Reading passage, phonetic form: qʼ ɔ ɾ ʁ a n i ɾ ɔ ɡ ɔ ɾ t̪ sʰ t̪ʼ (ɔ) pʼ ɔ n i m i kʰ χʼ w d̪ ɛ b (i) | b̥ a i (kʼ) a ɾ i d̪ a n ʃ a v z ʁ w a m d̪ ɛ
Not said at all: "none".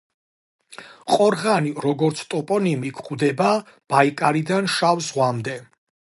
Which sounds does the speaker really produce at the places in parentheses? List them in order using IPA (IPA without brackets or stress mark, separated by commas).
ɔ, a, kʼ